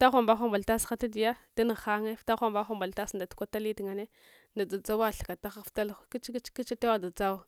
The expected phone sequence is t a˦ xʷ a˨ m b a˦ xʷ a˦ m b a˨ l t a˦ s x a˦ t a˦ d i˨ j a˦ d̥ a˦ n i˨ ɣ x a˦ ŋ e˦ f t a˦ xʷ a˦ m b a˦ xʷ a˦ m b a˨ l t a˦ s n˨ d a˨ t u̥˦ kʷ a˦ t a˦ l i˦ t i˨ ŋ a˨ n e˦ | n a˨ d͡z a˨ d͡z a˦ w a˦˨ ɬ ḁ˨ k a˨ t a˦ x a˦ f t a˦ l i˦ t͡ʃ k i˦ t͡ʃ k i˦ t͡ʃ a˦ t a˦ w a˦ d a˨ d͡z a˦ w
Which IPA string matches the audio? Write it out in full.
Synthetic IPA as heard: t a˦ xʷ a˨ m b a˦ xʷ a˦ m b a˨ l t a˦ s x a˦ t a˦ d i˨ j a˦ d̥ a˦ n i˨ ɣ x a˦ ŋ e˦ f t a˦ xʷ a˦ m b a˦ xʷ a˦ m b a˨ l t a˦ s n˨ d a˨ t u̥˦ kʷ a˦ t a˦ l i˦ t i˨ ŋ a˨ n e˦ | n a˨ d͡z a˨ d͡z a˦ w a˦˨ ɬ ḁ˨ k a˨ t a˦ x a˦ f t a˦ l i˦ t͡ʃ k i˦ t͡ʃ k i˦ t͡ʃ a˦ t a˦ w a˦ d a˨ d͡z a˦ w